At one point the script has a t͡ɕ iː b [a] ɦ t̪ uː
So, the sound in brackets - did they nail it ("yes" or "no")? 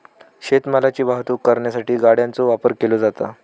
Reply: yes